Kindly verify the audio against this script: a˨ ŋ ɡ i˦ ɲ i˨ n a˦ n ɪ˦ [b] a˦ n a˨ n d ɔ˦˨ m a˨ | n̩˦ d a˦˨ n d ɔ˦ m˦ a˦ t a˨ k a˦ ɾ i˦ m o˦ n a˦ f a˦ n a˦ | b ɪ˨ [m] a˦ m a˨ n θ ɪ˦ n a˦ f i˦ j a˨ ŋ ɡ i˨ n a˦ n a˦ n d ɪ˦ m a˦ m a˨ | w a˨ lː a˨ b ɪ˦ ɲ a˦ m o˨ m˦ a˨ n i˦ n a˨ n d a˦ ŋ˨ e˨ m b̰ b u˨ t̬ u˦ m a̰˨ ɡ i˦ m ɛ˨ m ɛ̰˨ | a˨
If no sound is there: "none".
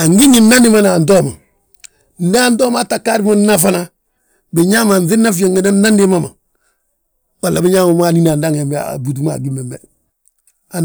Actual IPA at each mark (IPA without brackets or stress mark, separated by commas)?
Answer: m, ɲ